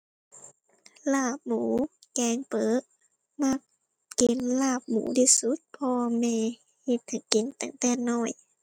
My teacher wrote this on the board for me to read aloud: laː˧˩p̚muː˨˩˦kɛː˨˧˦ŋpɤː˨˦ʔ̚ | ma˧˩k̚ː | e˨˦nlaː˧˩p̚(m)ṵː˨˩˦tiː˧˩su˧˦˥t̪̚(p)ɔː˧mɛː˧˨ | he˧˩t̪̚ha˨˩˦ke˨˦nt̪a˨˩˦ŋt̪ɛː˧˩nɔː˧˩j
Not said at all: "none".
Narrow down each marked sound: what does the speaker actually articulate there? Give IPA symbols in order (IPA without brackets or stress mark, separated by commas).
m, pʰ